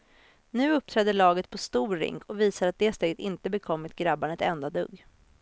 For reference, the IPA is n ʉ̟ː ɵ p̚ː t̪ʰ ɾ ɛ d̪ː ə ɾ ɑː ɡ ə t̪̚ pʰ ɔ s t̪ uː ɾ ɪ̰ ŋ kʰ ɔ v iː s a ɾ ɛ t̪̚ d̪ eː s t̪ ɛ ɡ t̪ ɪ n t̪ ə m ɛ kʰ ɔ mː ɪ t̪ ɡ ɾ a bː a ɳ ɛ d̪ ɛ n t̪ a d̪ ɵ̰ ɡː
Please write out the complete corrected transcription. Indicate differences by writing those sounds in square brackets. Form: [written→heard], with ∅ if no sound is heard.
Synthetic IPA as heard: n ʉ̟ː ɵ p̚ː t̪ʰ ɾ ɛ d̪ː ə [ɾ→ɭ] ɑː ɡ ə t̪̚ pʰ ɔ s t̪ uː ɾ ɪ̰ ŋ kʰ ɔ v iː s a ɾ [ɛ→a] t̪̚ d̪ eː s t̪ ɛ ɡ t̪ ɪ n t̪ ə [m→b] ɛ kʰ ɔ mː ɪ t̪ ɡ ɾ a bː a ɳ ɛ [d̪→t̪] ɛ n [t̪→d̪] a d̪ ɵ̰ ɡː